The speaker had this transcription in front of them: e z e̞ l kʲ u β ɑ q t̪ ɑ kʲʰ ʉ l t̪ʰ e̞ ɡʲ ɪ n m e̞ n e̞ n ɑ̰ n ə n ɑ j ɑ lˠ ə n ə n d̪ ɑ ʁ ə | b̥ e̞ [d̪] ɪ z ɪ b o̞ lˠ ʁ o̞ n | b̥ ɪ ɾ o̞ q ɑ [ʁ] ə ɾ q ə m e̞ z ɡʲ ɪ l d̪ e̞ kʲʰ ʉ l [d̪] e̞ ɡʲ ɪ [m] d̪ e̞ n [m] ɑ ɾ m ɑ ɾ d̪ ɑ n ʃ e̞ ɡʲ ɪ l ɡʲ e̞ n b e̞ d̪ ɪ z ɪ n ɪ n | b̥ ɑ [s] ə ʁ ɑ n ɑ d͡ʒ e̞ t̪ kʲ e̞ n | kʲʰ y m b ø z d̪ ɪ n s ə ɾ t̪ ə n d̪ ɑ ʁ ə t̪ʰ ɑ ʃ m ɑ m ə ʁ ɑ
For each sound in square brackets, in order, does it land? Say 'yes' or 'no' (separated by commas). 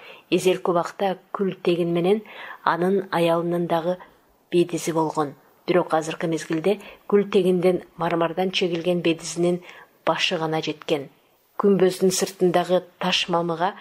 yes, no, no, no, yes, no